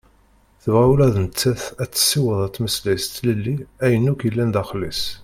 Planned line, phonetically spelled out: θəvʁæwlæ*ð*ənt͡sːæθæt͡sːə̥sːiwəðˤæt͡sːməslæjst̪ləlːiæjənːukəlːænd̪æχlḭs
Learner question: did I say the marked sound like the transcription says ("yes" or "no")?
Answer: yes